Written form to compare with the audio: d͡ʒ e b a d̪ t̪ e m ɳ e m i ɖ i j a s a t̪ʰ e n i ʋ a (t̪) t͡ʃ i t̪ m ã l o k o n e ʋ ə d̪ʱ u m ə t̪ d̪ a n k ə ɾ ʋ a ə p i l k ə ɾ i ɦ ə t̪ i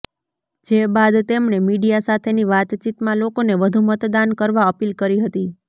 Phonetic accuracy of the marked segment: correct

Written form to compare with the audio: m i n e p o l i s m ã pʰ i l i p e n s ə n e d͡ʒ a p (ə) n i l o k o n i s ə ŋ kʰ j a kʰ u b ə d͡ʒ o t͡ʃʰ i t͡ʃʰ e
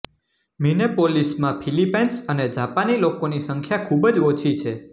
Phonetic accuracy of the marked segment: incorrect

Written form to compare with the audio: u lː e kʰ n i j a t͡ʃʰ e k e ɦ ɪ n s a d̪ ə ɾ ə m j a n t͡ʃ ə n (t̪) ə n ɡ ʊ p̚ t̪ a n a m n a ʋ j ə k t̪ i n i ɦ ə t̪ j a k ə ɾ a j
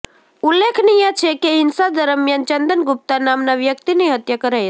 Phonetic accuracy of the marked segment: incorrect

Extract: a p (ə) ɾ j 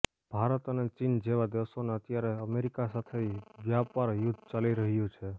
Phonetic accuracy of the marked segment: incorrect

